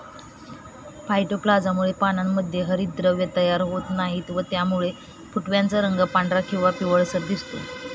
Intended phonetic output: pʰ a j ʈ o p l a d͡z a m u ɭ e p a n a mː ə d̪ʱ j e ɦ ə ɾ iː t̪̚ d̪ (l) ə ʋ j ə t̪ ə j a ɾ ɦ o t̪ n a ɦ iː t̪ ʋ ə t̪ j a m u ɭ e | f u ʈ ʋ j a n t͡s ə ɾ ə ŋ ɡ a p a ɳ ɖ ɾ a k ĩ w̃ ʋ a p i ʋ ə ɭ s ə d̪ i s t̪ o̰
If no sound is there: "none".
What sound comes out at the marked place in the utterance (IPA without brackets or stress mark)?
ɾ